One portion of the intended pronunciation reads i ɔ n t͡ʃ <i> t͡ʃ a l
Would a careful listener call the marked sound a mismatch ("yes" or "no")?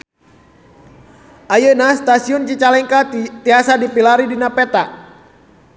no